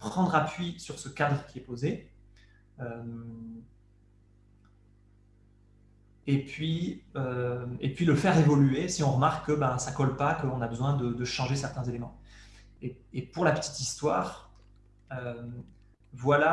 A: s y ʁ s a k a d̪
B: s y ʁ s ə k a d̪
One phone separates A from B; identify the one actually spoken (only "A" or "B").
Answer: B